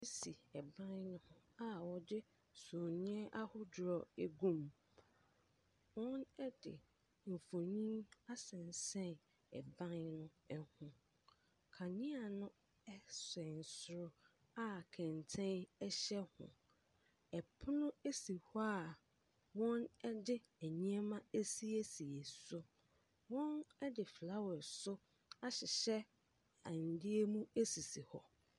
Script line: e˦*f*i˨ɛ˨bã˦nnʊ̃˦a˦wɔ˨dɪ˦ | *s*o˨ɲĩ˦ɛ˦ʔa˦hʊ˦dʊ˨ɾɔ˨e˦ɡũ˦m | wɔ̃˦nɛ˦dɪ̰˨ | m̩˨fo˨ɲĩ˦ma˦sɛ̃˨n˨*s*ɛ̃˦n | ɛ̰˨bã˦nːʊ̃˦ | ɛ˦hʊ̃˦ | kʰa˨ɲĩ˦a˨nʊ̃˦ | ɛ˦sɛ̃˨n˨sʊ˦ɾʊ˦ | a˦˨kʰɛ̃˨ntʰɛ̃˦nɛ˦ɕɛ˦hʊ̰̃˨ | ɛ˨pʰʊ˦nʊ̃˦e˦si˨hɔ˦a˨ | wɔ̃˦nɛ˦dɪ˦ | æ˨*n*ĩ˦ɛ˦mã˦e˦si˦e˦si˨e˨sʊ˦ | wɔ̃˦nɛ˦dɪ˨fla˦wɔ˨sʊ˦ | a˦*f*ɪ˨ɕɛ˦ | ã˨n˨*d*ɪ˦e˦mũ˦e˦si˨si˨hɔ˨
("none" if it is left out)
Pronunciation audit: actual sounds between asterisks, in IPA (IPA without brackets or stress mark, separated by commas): s, s, s, ɲ, ɕ, d